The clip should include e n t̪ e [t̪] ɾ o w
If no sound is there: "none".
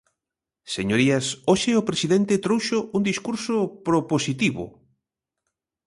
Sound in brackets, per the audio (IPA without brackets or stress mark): t̪